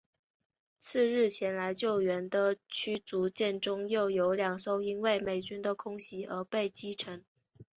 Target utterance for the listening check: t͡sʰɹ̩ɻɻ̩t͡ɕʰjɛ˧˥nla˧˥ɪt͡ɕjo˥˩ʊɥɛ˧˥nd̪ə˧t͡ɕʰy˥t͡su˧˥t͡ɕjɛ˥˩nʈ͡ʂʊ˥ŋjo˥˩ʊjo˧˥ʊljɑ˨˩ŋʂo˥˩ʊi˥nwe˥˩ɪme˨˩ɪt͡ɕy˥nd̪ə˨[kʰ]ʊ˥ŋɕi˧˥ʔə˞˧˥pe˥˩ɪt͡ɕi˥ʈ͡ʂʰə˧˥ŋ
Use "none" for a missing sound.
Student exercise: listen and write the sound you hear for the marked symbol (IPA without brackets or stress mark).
kʰ